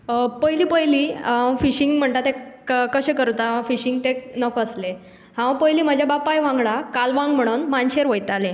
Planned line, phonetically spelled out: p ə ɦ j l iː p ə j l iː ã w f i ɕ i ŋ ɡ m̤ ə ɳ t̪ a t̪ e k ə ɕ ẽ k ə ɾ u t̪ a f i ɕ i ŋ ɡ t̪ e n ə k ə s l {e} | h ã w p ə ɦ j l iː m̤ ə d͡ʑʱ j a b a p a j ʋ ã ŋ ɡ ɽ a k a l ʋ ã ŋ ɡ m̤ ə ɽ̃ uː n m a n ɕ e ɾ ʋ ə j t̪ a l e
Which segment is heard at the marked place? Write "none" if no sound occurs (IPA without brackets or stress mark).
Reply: e